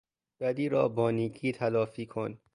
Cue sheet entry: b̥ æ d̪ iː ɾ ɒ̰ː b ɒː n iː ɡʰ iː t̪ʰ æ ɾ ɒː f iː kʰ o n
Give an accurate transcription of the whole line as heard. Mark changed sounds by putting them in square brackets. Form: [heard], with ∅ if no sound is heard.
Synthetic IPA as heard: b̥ æ d̪ iː ɾ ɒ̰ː b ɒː n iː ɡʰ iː t̪ʰ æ [l] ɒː f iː kʰ o n